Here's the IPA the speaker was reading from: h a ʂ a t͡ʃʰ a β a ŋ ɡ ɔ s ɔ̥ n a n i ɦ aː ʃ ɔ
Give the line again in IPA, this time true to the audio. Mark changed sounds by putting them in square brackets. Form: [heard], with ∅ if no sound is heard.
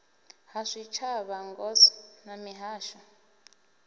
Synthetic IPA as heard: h a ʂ [i] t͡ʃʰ a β a ŋ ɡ ɔ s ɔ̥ n a [m] i ɦ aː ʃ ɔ